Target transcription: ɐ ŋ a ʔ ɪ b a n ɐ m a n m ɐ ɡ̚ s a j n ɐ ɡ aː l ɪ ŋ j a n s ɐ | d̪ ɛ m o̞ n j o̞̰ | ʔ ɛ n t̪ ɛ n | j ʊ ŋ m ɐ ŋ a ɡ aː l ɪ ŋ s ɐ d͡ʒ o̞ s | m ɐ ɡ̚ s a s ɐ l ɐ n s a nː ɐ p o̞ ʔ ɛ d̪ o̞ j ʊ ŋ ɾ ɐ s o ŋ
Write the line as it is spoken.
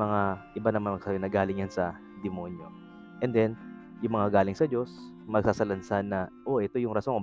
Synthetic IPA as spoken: ɐ ŋ a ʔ ɪ b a n ɐ m a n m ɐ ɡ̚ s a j n ɐ ɡ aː l ɪ ŋ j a n s ɐ | d̪ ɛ m o̞ n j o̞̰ | ʔ ɛ n d̪ ɛ n | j ʊ ŋ m ɐ ŋ a ɡ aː l ɪ ŋ s ɐ d͡ʒ o̞ s | m ɐ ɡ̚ s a s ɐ l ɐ n s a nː ɐ ʔ o̞ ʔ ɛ t̪ o̞ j ʊ ŋ ɾ ɐ s o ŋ